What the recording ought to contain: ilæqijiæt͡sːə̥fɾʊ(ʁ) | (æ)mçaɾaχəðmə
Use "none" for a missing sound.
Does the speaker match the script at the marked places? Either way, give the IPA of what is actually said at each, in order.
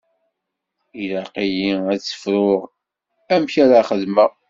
ʁ, æ

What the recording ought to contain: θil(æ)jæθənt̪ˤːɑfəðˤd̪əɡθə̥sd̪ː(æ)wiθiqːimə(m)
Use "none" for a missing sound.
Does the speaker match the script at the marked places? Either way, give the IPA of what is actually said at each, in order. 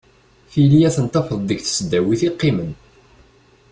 i, æ, n

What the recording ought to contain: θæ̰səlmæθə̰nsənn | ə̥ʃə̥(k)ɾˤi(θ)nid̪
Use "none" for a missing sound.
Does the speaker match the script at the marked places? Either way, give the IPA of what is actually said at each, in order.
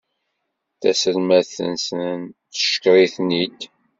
k, θ

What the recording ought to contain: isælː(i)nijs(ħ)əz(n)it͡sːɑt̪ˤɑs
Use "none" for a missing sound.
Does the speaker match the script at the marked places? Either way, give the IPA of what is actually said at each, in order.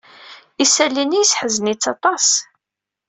i, ħ, n

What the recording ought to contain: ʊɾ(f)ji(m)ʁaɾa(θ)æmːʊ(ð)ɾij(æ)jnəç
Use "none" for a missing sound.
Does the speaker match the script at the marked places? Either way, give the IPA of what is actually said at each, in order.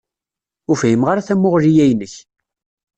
f, m, θ, ʁ, æ

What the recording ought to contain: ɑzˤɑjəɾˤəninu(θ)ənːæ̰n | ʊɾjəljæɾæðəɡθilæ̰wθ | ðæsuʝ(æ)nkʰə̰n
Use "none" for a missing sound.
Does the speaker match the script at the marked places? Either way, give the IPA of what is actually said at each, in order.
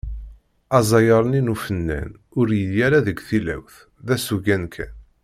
f, æ

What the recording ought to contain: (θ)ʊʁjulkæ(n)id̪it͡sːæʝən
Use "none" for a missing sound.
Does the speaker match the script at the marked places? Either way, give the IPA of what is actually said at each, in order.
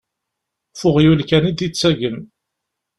f, n

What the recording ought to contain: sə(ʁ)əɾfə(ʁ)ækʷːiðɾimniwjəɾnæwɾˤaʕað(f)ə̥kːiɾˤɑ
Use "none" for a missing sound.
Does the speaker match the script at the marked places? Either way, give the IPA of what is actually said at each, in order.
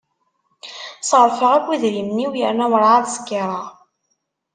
ʁ, ʁ, s

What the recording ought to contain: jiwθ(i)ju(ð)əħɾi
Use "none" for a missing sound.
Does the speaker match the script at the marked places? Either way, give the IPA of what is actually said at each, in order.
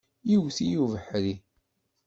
i, v

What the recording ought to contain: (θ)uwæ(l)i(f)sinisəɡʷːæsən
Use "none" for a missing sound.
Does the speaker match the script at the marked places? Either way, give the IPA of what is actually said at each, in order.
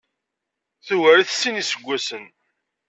θ, ɾ, θ

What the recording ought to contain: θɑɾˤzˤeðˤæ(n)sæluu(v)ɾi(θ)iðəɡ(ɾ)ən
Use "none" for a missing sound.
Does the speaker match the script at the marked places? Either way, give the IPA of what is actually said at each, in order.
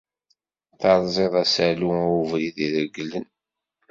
none, v, ð, l

